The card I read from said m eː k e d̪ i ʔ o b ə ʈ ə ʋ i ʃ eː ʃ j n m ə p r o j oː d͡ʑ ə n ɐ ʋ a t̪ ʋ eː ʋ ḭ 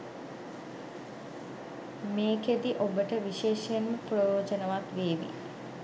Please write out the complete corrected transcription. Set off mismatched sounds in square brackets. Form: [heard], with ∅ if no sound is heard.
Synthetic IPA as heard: m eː k e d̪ i ʔ o b ə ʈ ə ʋ i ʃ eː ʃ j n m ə p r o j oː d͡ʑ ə n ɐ ʋ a t̪ ʋ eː ʋ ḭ

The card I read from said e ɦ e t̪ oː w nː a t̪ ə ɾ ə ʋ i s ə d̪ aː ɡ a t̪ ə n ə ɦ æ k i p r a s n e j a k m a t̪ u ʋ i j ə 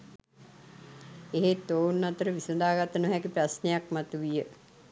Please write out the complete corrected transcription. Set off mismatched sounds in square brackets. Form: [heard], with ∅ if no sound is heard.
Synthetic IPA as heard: e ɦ e t̪ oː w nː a t̪ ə ɾ ə ʋ i s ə d̪ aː ɡ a t̪ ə n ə ɦ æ k i p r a s n e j a k m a t̪ u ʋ i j ə

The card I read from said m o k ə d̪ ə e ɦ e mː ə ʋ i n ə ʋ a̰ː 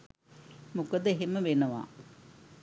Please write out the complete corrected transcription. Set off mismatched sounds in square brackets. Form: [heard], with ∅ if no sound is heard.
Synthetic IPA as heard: m [u] k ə d̪ ə e ɦ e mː ə ʋ [e] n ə ʋ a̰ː

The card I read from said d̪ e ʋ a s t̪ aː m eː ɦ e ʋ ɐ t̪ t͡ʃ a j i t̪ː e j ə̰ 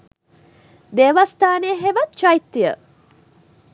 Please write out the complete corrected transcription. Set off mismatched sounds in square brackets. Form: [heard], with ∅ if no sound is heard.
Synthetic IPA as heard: d̪ e ʋ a s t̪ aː [n] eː ɦ e ʋ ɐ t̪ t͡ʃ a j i t̪ː [i] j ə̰

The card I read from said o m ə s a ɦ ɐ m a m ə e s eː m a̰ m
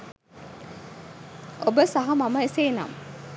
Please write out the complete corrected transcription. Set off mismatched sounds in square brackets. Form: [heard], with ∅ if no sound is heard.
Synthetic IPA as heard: o [b] ə s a ɦ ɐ m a m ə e s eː [n] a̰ m

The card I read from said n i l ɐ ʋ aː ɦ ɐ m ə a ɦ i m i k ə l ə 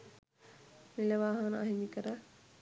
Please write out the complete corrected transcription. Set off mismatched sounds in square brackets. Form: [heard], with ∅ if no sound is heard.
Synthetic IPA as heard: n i l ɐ ʋ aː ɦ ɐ [n] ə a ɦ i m i k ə [ɾ] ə

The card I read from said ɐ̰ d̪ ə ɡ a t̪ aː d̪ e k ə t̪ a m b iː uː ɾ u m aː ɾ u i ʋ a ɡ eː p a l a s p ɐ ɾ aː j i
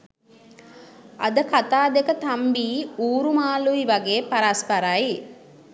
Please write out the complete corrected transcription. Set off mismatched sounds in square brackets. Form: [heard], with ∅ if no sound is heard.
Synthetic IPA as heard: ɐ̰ d̪ ə [k] a t̪ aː d̪ e k ə t̪ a m b iː uː ɾ u m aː [l] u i ʋ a ɡ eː p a [ɾ] a s p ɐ ɾ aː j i

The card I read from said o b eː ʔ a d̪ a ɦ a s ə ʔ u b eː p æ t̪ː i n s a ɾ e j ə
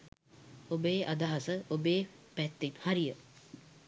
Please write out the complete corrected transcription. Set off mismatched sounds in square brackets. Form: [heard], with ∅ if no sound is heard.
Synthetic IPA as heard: o b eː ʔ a d̪ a ɦ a s ə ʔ [o] b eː p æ t̪ː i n [h] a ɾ [i] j ə

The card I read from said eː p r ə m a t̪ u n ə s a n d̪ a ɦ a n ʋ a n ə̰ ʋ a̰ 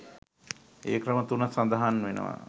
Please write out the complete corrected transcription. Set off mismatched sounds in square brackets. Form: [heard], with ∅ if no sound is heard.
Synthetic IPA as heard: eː [k] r ə m [ə] t̪ u n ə s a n d̪ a ɦ a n ʋ [e] n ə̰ ʋ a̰

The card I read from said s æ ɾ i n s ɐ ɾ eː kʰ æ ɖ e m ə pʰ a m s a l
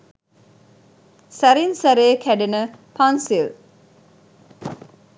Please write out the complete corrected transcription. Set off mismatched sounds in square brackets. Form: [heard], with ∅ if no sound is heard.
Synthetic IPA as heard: s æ ɾ i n s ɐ ɾ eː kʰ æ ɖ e [n] ə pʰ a [n] s [i] l

